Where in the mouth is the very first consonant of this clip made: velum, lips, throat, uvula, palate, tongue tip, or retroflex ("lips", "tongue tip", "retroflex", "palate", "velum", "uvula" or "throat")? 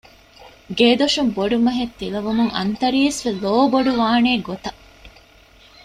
velum